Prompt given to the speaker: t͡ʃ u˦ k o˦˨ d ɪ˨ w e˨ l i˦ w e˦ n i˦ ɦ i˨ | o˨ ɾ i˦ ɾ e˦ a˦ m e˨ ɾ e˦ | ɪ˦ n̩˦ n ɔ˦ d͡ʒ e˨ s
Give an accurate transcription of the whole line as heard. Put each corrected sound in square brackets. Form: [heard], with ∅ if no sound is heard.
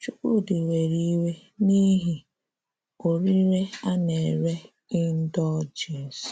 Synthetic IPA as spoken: t͡ʃ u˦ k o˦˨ d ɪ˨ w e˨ [ɾ] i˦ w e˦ n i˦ ɦ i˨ | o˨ ɾ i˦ ɾ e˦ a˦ [n] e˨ ɾ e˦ | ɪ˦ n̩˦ [d] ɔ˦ d͡ʒ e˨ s